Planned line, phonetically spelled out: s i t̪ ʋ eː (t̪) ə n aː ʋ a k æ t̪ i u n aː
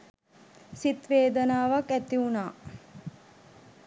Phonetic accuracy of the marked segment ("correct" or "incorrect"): incorrect